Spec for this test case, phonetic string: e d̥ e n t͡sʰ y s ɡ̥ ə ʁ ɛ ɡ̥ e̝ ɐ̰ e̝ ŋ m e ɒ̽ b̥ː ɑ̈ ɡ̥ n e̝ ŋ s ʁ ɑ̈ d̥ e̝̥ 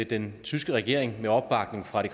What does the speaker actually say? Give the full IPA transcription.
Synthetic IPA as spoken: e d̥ e n t͡sʰ y s ɡ̥ ə ʁ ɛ ɡ̥ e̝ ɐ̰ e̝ ŋ m e ɒ̽ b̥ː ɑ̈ ɡ̥ n e̝ ŋ f ʁ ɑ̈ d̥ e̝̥